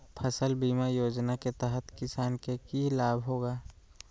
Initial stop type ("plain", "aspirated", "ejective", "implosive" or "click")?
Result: aspirated